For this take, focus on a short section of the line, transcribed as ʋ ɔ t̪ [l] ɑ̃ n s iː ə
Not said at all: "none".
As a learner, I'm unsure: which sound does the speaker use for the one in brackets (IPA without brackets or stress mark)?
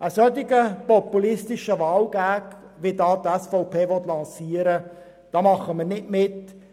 l